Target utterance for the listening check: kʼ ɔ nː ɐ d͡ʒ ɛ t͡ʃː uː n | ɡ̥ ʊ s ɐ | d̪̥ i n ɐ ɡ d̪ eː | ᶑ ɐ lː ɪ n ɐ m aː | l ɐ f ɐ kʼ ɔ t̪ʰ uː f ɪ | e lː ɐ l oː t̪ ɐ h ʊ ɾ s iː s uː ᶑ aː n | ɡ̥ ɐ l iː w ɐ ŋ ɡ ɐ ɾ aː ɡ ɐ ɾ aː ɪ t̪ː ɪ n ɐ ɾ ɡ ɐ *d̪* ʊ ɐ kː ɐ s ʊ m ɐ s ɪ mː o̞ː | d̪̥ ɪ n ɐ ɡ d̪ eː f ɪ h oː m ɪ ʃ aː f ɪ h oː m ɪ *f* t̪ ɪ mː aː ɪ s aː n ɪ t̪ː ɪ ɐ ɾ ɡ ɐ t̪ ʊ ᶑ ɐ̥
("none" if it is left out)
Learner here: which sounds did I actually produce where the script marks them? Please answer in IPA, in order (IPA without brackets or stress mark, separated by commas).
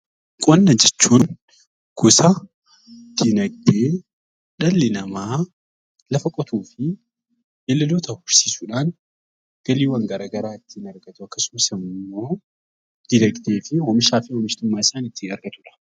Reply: t̪, ʃ